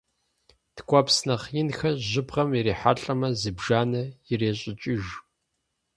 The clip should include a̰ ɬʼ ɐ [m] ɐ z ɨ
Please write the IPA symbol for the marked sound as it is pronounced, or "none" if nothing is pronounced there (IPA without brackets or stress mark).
m